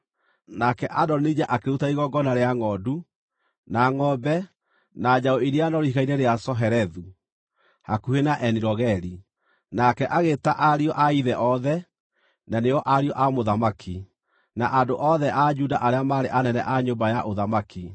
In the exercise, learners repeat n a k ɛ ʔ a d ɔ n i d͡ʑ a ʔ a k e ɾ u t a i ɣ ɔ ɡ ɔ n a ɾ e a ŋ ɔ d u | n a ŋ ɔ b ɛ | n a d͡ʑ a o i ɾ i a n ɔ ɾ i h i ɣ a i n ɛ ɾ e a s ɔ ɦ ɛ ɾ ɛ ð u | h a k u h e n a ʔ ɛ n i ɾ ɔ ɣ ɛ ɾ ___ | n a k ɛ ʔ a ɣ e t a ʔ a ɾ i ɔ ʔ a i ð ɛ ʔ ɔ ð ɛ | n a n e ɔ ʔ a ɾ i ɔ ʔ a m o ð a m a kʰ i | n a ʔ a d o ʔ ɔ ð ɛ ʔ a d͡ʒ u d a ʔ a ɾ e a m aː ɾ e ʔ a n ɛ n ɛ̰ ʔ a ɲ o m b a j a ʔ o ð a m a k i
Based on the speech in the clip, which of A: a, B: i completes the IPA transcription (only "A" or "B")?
B